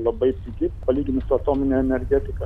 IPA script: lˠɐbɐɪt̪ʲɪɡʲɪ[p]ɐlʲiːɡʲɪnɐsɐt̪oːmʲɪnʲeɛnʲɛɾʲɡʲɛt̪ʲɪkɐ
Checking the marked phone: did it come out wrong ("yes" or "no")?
no